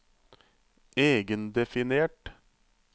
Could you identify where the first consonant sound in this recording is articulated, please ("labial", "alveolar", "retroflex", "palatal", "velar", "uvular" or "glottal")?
velar